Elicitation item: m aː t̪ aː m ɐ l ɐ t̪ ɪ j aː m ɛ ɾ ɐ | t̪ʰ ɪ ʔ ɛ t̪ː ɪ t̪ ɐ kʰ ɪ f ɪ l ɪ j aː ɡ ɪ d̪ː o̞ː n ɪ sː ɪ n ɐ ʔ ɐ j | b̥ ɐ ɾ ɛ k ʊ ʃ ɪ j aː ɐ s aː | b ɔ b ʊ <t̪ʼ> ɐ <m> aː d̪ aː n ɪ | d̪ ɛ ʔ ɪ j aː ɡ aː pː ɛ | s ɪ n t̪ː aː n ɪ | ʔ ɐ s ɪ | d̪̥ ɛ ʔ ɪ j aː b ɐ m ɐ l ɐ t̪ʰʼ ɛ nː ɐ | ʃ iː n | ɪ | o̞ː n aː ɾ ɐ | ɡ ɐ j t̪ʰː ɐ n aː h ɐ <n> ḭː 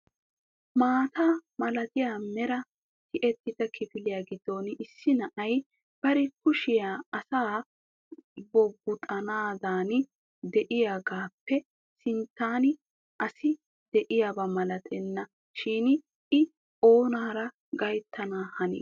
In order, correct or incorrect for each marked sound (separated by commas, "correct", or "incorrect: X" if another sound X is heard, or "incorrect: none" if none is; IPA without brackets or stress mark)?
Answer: correct, incorrect: n, correct